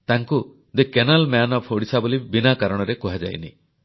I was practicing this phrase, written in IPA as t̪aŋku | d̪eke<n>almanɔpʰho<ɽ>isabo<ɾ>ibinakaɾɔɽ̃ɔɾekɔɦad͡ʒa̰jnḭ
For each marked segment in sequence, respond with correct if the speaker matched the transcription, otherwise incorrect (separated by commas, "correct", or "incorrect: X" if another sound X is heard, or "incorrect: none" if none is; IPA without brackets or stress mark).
correct, correct, incorrect: l